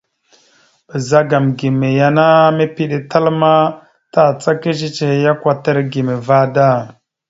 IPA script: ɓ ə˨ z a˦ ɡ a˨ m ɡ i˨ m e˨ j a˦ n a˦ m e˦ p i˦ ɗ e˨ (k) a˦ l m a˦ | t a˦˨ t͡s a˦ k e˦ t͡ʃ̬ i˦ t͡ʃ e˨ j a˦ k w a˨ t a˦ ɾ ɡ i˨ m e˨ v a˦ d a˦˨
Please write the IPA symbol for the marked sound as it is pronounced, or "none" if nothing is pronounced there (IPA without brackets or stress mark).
t